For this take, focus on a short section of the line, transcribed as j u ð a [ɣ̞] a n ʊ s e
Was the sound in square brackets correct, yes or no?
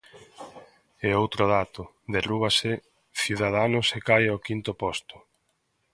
no